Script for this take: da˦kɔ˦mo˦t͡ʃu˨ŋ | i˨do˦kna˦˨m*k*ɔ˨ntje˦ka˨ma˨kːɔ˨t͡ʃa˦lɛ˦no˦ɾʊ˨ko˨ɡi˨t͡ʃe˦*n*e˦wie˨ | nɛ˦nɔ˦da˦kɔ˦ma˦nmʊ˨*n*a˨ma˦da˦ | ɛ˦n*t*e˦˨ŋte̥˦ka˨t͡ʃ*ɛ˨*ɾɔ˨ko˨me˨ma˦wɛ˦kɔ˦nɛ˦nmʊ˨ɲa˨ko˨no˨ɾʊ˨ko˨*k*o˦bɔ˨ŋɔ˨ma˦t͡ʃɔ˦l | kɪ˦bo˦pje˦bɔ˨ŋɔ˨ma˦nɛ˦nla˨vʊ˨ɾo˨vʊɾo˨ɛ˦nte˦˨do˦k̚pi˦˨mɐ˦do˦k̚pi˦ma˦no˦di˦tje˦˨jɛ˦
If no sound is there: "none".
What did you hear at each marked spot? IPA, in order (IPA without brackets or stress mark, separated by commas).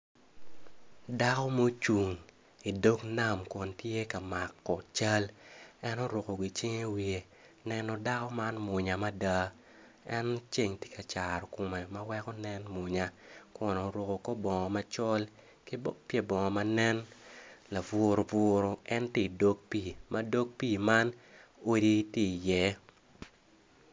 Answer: k, ŋ, ɲ, t͡ʃ, a˨, k